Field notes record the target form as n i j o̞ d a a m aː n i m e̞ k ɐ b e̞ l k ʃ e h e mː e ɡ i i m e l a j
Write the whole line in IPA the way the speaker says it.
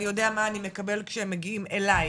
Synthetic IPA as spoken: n i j o̞ d e a m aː n i m e̞ k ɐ b e̞ l k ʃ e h e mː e ɡ i i m e l a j